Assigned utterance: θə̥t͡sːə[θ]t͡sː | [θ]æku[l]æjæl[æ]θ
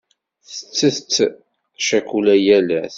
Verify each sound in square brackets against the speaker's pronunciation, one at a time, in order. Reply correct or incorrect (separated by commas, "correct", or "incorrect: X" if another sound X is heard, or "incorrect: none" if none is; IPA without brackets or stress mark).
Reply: correct, incorrect: ʃ, correct, correct